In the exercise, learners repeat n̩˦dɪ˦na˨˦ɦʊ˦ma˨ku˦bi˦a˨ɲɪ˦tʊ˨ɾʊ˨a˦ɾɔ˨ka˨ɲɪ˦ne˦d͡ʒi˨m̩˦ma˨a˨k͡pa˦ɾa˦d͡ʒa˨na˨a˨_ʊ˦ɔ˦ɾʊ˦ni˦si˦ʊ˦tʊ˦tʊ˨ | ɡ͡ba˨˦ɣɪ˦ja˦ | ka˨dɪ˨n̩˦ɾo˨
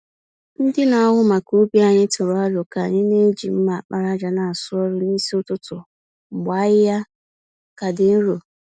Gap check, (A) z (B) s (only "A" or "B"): B